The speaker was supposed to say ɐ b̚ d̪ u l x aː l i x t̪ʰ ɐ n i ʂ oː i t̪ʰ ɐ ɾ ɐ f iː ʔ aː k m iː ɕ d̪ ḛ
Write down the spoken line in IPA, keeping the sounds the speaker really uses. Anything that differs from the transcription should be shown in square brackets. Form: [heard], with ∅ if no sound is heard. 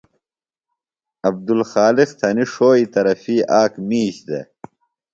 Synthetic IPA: ɐ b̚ d̪ u l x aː l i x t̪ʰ ɐ n i ʂ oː i [t̪] ɐ ɾ ɐ f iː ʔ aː k m iː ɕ d̪ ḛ